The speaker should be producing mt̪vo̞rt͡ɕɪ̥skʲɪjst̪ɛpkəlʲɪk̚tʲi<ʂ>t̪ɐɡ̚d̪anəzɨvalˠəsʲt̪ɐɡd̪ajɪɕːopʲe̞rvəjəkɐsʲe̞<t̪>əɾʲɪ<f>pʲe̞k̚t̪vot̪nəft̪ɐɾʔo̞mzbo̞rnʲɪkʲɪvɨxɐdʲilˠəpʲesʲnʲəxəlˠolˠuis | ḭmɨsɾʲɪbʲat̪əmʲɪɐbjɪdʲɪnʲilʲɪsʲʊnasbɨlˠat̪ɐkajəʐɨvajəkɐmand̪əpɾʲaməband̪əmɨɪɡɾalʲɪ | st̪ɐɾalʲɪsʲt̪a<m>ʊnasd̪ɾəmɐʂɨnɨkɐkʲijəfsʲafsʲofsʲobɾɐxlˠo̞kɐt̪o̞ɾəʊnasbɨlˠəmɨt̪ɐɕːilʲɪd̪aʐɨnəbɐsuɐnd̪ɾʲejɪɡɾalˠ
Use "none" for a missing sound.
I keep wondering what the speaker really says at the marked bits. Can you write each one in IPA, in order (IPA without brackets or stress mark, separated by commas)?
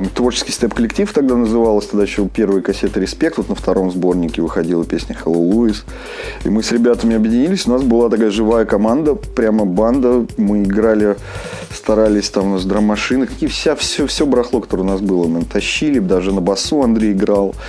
f, t̪, s, m